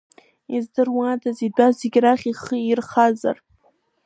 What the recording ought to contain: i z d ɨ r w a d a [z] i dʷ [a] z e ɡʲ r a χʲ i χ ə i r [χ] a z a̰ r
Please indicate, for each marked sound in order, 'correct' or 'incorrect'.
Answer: correct, correct, correct

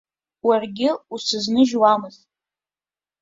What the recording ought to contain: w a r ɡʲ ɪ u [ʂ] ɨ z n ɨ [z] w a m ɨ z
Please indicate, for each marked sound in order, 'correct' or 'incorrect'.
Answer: incorrect, incorrect

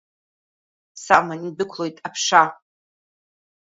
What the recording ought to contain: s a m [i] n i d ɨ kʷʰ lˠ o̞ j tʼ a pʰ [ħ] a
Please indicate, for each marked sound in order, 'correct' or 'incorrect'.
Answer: incorrect, incorrect

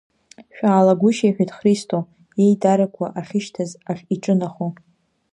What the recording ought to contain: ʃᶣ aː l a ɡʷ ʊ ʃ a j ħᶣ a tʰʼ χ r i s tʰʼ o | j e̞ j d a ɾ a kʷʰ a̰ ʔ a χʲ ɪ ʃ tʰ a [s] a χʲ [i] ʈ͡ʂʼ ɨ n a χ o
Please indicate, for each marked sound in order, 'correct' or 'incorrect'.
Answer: incorrect, correct

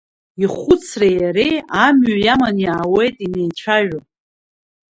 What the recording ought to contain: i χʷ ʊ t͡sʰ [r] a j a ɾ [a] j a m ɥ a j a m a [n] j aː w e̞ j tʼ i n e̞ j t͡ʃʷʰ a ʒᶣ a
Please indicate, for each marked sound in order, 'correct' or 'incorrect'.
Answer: correct, incorrect, correct

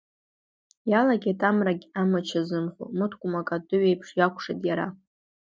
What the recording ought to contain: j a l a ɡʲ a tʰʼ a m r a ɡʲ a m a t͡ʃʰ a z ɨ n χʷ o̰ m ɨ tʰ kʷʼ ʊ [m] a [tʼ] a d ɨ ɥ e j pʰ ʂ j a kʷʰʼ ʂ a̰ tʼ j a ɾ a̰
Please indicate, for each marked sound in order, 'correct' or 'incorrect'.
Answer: correct, incorrect

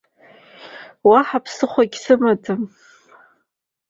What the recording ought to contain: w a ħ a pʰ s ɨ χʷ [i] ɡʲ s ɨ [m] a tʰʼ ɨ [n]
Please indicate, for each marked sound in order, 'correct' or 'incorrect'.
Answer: incorrect, correct, incorrect

